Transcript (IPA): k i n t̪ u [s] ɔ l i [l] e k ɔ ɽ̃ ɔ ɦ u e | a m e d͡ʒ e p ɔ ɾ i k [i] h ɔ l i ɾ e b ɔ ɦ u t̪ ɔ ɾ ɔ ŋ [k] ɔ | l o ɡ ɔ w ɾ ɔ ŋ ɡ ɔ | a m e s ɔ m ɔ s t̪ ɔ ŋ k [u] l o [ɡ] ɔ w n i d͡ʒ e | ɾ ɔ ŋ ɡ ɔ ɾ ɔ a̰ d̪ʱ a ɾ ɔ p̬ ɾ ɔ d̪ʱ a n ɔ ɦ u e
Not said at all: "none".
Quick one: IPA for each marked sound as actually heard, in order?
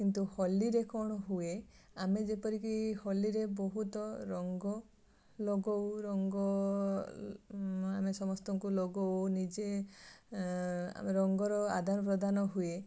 h, ɾ, i, ɡ, u, ɡ

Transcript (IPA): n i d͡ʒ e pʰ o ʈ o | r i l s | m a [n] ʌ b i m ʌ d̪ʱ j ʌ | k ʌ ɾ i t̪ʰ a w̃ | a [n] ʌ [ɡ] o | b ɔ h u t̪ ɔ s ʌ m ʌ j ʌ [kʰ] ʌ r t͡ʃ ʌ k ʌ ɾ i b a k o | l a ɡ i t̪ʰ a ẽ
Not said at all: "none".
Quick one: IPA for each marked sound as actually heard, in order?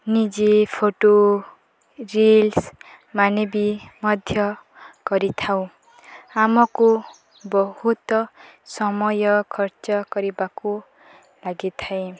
n, m, k, kʰ

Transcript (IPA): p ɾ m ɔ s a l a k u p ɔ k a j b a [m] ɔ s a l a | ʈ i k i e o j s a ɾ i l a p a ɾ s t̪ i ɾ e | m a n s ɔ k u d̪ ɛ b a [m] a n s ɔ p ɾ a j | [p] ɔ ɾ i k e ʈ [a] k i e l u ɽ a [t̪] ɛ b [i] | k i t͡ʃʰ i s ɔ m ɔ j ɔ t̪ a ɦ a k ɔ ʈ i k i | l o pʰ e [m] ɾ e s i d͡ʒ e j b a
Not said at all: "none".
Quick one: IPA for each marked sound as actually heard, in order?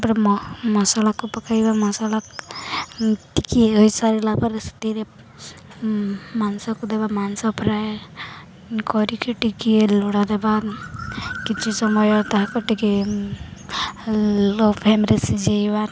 m, m, k, i, d̪, a, m

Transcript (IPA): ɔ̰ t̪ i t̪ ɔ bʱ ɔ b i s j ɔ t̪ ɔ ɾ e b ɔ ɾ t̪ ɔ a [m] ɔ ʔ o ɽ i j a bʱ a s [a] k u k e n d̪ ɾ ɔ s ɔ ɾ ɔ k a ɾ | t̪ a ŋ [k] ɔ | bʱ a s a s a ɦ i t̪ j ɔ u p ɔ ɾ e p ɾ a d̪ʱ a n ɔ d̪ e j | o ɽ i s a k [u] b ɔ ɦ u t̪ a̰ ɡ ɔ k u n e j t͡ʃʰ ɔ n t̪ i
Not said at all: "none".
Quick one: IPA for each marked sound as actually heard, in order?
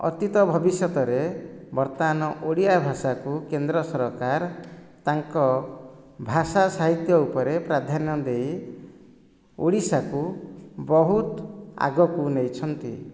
n, a, k, u

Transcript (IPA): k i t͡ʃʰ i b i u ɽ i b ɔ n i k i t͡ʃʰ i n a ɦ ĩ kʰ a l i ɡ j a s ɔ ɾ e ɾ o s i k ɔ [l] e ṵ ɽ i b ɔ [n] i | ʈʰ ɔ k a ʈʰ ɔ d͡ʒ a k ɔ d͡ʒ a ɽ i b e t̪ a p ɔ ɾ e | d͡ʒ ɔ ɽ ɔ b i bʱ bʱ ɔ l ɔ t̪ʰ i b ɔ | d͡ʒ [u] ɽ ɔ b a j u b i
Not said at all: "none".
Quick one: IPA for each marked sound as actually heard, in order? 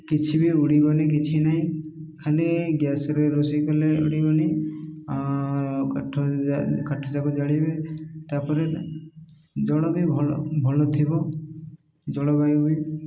l, n, ɔ

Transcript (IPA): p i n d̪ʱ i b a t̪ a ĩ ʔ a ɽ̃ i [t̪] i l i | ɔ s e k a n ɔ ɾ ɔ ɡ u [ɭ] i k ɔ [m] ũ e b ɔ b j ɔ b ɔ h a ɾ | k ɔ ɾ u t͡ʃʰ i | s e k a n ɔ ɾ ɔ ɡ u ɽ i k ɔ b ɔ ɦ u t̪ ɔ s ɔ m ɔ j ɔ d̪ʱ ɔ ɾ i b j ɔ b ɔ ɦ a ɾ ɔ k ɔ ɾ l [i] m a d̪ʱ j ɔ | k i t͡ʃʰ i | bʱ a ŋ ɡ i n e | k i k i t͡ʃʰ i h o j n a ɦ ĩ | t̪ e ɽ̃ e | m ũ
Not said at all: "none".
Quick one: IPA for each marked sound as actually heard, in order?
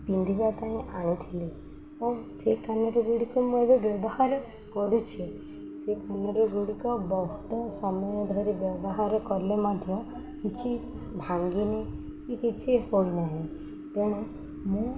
t̪ʰ, ɽ, m, e

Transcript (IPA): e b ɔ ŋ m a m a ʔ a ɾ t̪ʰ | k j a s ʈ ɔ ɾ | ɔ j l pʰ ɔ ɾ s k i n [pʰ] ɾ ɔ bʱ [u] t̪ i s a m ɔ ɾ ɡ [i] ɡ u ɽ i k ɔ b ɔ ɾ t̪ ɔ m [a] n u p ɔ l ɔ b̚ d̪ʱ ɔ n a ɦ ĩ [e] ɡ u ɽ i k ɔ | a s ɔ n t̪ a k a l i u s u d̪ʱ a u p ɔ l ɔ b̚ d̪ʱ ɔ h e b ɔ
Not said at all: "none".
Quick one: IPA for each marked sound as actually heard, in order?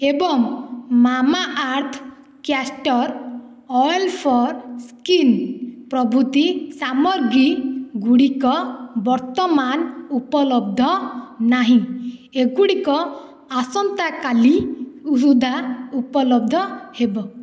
p, u, i, a, e

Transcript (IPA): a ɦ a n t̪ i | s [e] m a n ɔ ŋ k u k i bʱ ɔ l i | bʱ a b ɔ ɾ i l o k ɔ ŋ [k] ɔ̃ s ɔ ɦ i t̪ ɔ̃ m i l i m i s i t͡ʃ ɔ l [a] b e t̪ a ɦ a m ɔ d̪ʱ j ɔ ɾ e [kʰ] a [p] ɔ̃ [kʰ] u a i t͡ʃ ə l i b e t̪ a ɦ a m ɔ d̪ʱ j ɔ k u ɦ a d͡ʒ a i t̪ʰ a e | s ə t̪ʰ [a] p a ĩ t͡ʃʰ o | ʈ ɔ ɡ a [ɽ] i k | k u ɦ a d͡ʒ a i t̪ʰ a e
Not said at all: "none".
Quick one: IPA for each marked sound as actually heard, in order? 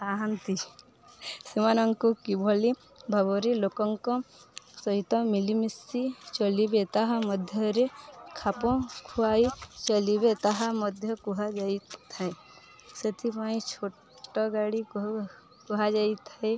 i, k, i, kʰ, p, kʰ, i, ɽ

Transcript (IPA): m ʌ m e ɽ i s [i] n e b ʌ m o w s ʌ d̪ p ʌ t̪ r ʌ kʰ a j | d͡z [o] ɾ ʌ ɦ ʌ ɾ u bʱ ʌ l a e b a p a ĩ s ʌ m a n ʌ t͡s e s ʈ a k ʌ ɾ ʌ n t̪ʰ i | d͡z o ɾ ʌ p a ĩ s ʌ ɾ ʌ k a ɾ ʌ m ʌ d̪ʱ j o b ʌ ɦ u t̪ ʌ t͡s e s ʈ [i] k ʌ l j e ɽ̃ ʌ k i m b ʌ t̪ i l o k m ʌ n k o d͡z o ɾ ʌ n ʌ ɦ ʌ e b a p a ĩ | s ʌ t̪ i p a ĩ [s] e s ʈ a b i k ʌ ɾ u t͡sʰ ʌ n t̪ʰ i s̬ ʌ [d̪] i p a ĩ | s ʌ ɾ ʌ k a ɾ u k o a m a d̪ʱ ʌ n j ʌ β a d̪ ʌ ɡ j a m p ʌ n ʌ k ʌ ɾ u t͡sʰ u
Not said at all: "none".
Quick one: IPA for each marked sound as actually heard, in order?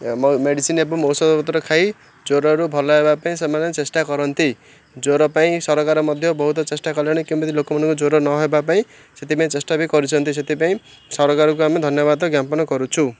i, o, a, t͡s, t̪

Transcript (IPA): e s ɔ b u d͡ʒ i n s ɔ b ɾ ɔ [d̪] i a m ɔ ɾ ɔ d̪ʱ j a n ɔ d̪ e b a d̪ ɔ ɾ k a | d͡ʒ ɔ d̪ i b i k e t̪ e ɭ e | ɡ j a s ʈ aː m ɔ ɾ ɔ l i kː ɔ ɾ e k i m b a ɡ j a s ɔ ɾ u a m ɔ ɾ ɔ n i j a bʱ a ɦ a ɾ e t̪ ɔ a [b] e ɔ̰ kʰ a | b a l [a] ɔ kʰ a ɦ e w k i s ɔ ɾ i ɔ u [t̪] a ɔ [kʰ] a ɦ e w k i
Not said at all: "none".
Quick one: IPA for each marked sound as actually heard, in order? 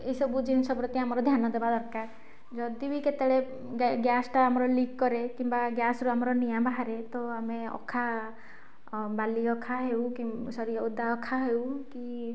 t̪, m, i, d̪, kʰ

